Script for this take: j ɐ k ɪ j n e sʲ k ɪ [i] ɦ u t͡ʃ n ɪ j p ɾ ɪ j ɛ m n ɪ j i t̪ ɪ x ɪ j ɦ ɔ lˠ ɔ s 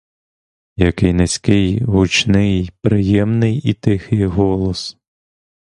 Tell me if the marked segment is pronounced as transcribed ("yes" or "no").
no